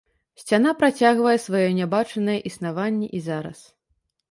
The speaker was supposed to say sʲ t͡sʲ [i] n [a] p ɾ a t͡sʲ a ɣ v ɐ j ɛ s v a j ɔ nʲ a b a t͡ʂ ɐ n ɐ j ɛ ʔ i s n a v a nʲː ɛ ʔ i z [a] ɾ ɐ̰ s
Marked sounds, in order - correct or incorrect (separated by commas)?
incorrect, correct, correct